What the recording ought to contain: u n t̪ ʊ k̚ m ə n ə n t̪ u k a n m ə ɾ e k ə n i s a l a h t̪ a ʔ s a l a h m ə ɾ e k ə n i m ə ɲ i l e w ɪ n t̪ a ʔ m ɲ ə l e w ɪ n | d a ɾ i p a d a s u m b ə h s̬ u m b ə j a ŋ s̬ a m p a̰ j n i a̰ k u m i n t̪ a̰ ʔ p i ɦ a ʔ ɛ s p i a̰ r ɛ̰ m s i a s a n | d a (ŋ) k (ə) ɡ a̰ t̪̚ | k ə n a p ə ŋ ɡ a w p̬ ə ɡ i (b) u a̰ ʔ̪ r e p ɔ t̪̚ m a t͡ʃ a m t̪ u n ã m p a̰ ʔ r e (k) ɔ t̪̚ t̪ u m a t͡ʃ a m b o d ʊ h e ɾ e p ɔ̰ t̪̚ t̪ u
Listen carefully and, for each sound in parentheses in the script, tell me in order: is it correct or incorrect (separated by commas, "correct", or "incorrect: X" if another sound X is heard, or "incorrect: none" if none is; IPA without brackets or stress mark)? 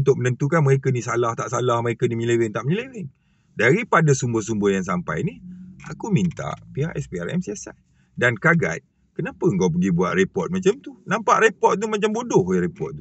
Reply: incorrect: n, incorrect: a, correct, incorrect: p